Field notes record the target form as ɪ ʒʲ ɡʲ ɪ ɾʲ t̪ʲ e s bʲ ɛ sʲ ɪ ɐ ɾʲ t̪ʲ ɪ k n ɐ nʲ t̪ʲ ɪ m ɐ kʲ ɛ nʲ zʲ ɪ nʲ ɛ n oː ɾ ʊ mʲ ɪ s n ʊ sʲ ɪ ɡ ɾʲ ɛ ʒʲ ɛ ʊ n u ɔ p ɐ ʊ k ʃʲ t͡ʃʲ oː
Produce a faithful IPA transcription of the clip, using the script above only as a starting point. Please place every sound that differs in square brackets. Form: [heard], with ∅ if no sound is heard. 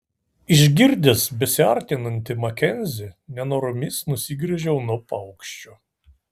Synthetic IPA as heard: ɪ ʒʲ ɡʲ ɪ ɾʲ [d̪ʲ] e s bʲ ɛ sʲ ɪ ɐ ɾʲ t̪ʲ ɪ [∅] n ɐ nʲ t̪ʲ ɪ m ɐ kʲ ɛ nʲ zʲ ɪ nʲ ɛ n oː ɾ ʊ mʲ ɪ s n ʊ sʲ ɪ ɡ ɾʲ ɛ ʒʲ ɛ ʊ n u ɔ p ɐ ʊ k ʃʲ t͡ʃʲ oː